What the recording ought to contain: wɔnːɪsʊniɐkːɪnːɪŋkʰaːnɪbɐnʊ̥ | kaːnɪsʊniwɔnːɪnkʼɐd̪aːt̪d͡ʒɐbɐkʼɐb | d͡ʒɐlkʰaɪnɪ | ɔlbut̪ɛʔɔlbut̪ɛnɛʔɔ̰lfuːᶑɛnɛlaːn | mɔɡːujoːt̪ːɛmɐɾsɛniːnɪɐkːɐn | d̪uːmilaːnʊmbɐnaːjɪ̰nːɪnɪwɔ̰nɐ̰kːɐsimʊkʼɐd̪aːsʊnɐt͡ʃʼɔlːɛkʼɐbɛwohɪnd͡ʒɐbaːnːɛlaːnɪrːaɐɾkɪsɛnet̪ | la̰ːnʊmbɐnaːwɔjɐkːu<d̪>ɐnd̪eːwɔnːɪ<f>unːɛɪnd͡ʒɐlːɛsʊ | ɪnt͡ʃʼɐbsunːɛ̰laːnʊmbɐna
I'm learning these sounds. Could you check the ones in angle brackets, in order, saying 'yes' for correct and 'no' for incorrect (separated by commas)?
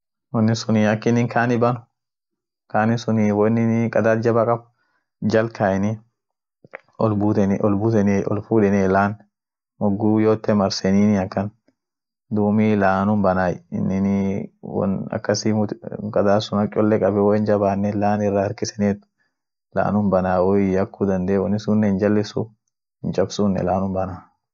yes, no